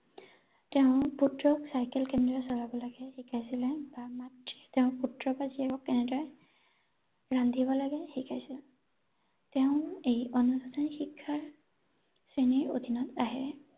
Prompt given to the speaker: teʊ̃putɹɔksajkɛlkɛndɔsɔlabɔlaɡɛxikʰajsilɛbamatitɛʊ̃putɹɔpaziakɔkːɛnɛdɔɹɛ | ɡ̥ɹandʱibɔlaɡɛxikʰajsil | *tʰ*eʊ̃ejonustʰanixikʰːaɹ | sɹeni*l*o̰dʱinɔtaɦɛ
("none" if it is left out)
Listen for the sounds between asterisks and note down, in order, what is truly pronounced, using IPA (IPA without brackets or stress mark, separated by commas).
t, ɹ